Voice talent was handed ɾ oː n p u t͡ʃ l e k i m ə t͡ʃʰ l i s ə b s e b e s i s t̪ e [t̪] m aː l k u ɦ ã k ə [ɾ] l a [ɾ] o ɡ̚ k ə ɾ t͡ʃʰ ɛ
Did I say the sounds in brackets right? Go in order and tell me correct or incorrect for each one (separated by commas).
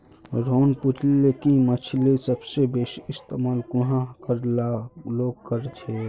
incorrect, correct, incorrect